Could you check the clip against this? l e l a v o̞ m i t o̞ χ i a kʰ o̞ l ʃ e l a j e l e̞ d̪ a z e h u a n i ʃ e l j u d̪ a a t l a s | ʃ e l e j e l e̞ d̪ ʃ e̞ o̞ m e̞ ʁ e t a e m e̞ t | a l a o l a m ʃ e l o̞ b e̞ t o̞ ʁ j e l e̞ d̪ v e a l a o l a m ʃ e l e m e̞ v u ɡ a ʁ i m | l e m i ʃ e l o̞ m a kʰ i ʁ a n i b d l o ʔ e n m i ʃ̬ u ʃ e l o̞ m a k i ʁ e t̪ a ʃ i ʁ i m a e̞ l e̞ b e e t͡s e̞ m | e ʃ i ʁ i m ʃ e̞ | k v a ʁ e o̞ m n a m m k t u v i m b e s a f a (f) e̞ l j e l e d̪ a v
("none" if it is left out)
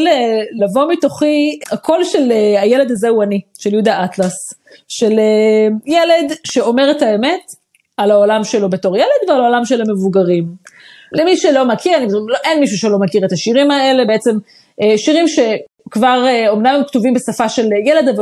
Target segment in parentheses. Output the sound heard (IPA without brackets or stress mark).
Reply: ʃ